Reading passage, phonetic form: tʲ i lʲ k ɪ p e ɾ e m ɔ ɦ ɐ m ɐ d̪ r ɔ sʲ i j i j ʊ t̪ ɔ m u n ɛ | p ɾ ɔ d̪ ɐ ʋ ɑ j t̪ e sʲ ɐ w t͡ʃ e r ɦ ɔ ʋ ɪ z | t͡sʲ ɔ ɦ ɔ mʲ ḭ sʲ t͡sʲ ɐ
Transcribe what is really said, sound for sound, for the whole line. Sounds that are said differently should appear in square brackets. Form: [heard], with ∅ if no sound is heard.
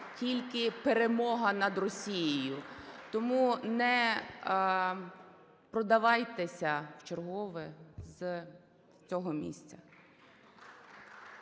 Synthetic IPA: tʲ i lʲ k ɪ p e ɾ e m ɔ ɦ ɐ [n] ɐ d̪ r ɔ sʲ i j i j ʊ t̪ ɔ m u n ɛ | p ɾ ɔ d̪ ɐ ʋ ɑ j t̪ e sʲ ɐ w t͡ʃ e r ɦ ɔ ʋ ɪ z | t͡sʲ ɔ ɦ ɔ mʲ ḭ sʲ t͡sʲ ɐ